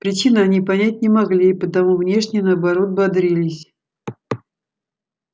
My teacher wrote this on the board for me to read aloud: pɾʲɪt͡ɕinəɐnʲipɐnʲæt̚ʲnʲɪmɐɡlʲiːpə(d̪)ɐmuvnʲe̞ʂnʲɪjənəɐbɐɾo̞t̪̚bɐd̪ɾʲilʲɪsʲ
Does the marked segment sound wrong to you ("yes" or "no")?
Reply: yes